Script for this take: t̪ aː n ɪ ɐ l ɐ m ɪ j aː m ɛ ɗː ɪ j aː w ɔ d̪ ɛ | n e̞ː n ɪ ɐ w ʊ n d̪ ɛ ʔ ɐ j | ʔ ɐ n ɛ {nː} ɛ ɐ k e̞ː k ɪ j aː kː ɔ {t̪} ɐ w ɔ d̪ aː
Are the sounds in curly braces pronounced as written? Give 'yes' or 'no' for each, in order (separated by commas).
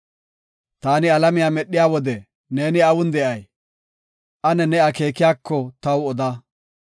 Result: no, yes